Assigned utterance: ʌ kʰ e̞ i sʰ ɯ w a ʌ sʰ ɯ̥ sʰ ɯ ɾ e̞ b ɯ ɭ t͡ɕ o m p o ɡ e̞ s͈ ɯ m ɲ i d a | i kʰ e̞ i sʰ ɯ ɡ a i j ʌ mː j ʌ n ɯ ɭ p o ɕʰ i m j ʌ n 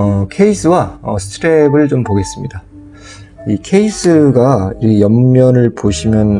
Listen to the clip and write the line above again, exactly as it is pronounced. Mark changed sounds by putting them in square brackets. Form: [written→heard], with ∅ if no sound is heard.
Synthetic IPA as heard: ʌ kʰ e̞ i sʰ ɯ w a ʌ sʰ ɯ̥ [sʰ→tʰ] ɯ ɾ e̞ b ɯ ɭ t͡ɕ o m p o ɡ e̞ s͈ ɯ m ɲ i d a | i kʰ e̞ i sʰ ɯ ɡ a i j ʌ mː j ʌ n ɯ ɭ p o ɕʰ i m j ʌ n

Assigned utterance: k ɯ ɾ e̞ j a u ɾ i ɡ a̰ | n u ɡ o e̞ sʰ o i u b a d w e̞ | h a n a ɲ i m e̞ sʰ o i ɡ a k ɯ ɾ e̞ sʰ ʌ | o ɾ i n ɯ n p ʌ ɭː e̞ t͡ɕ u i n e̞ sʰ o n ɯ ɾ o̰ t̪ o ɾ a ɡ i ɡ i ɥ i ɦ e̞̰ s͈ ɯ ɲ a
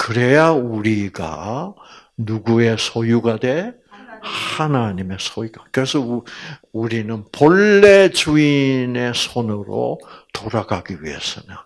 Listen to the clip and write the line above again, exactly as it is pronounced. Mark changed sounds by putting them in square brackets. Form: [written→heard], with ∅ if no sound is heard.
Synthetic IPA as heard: k ɯ ɾ e̞ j a u ɾ i ɡ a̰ | n u ɡ [o→u] e̞ sʰ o [i→j] u [b→ɡ] a d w e̞ | h a n a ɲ i m e̞ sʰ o i ɡ a k ɯ ɾ e̞ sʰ ʌ | [o→u] ɾ i n ɯ n p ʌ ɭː e̞ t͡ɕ u i n e̞ sʰ o n ɯ ɾ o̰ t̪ o ɾ a ɡ [i→a] ɡ i ɥ i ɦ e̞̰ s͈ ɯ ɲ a

